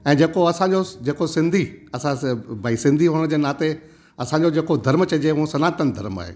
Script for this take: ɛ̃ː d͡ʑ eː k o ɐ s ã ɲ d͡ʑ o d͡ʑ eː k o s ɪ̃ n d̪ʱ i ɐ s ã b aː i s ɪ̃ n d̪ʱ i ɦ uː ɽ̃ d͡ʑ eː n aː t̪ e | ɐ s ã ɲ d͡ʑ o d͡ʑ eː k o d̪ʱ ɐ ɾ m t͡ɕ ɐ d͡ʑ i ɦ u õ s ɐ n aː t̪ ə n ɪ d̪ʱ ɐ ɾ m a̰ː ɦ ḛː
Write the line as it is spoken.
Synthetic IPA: ɛ̃ː d͡ʑ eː k o ɐ s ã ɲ d͡ʑ o d͡ʑ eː k o s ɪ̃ n d̪ʱ i ɐ s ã b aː i s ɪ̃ n d̪ʱ i ɦ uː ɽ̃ d͡ʑ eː n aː t̪ e | ɐ s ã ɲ d͡ʑ o d͡ʑ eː k o d̪ʱ ɐ ɾ m t͡ɕ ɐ d͡ʑ e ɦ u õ s ɐ n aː t̪ ə n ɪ d̪ʱ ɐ ɾ m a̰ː ɦ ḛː